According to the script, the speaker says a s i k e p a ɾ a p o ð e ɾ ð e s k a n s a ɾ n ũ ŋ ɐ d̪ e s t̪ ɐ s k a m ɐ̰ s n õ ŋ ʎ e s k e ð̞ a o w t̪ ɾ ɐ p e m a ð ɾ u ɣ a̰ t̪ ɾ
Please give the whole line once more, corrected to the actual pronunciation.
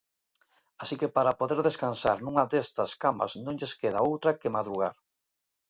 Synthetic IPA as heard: a s i k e p a ɾ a p o ð e ɾ ð e s k a n s a ɾ n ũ ŋ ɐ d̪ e s t̪ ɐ s k a m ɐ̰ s n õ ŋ ʎ e s k e ð̞ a o w t̪ ɾ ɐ k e m a ð ɾ u ɣ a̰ ɾ